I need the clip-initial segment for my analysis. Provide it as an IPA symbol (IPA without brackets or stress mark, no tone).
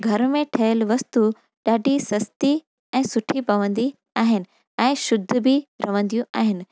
ɡʱ